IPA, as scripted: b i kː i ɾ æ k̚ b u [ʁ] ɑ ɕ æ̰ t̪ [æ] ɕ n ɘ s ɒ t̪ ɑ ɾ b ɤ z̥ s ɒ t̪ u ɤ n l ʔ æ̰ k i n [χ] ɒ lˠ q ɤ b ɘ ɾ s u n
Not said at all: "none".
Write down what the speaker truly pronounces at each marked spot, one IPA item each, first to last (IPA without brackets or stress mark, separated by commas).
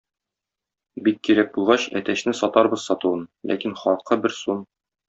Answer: ʁ, æ, χ